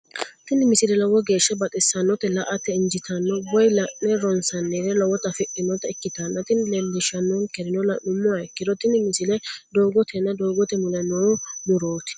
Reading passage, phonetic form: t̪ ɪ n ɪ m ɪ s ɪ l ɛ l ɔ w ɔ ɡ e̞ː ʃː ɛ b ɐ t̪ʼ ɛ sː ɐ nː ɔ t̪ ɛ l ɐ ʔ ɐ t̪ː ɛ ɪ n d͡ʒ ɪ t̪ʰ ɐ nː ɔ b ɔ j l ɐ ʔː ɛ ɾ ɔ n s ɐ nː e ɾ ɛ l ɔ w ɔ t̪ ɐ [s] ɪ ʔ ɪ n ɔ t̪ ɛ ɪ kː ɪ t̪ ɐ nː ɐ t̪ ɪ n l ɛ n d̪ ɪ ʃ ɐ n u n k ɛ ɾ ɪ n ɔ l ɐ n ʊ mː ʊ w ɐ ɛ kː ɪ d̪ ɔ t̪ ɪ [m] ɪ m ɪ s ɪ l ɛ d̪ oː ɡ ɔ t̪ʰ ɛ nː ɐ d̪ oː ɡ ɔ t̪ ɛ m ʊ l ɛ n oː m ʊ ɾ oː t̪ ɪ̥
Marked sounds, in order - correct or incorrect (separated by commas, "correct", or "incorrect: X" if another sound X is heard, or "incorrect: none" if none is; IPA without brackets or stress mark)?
incorrect: f, incorrect: n